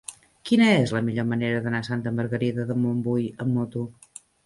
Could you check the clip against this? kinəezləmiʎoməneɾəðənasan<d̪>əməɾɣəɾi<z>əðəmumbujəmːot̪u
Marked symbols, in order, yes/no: no, no

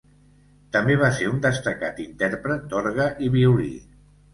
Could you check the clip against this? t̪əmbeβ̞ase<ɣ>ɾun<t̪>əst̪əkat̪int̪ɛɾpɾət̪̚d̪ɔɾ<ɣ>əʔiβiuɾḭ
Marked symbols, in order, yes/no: no, no, yes

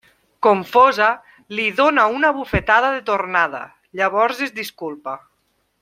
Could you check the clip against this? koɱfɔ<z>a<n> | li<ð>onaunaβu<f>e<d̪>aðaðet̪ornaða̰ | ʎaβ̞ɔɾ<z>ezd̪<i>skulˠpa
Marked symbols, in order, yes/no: yes, no, yes, yes, no, yes, yes

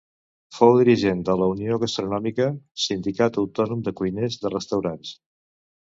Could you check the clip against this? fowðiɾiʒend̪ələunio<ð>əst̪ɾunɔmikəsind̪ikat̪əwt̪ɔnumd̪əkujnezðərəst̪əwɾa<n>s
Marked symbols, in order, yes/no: no, yes

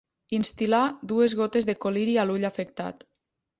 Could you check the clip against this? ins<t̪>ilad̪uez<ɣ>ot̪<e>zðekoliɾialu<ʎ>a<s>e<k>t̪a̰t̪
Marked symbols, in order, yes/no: yes, yes, yes, yes, no, yes

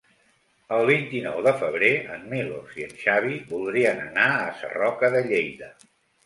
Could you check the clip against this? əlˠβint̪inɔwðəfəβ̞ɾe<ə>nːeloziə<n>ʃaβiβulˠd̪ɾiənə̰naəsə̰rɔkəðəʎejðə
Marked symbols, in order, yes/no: yes, yes

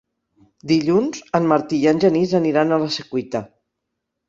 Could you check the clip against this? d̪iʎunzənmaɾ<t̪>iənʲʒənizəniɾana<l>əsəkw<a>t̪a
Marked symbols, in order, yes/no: yes, yes, no

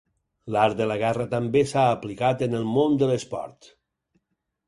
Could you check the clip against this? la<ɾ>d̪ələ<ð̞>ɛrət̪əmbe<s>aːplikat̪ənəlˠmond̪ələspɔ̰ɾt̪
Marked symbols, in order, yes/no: yes, no, yes

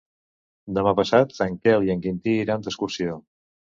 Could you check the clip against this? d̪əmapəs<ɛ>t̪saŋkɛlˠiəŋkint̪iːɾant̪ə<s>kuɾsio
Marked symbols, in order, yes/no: no, yes

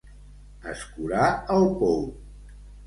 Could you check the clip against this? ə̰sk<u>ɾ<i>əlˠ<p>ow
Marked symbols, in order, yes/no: yes, no, yes

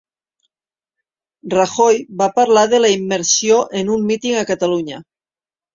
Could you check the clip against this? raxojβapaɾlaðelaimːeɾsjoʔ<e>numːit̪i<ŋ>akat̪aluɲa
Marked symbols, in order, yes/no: yes, yes

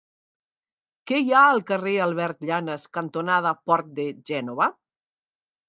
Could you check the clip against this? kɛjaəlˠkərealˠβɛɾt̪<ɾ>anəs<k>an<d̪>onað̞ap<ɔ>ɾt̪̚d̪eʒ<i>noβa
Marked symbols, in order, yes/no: no, yes, no, yes, no

